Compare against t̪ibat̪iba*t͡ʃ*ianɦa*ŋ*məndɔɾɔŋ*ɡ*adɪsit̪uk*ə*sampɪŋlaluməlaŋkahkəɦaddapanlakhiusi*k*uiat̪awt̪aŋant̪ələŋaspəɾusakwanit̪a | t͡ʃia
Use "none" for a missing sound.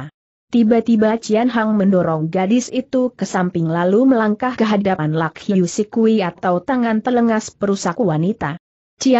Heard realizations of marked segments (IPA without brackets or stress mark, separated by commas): t͡ʃ, ŋ, ɡ, ə, k